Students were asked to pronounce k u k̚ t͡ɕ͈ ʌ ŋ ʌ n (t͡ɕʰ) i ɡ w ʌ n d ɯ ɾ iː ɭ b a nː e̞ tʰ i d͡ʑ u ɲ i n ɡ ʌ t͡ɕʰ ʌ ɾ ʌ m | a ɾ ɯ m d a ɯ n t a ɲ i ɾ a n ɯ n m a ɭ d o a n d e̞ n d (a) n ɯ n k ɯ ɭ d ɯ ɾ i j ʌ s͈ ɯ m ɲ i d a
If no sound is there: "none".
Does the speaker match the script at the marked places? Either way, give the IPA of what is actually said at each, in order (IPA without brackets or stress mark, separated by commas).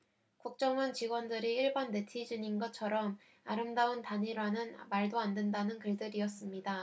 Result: t͡ɕ, a